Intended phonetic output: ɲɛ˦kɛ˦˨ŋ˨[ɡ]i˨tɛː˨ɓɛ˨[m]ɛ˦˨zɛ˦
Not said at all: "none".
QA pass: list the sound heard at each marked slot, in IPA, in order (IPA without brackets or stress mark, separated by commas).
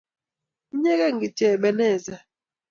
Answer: ɡ, n